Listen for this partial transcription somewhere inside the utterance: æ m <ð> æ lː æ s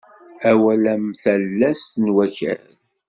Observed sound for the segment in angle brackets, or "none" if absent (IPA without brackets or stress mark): θ